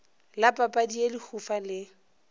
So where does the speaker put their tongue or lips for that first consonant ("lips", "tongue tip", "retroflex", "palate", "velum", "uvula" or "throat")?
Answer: tongue tip